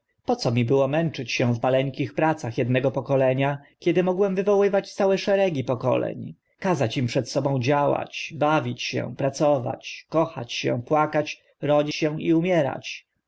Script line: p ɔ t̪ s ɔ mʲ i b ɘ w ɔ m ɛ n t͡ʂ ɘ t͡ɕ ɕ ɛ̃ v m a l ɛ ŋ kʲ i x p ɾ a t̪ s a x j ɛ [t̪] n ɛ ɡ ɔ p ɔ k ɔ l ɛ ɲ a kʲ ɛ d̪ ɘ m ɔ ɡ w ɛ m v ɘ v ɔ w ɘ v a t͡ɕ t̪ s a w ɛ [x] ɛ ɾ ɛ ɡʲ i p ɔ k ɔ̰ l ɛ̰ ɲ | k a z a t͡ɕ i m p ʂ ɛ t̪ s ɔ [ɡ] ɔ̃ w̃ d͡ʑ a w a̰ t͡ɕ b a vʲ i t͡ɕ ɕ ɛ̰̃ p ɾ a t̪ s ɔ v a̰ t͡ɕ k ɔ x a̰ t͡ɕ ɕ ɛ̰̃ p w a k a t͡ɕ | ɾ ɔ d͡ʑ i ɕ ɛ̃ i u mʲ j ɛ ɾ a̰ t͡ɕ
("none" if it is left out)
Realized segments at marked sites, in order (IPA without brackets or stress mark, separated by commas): d̪, ʂ, b